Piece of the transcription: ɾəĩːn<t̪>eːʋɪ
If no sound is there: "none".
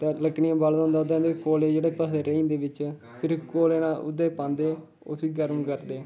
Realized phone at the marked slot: d̪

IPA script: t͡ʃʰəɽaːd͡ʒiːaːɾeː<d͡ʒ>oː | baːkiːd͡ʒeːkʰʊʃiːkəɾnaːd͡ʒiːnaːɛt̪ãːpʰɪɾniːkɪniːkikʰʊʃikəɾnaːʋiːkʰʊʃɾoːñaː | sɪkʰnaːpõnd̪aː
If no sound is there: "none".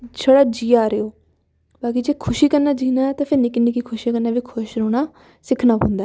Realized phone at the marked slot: none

